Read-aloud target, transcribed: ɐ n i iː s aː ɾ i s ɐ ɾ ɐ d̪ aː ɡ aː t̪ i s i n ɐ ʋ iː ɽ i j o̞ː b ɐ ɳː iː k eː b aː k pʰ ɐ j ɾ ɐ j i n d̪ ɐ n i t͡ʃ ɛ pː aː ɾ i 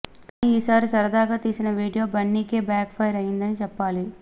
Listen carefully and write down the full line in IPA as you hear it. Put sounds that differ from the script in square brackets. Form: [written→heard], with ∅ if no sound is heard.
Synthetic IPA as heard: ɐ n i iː s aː ɾ i s ɐ ɾ ɐ d̪ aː ɡ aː t̪ [i→iː] s i n ɐ ʋ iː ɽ i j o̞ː b ɐ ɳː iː k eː b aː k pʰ ɐ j ɾ ɐ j i n d̪ ɐ n i t͡ʃ ɛ pː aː [ɾ→l] i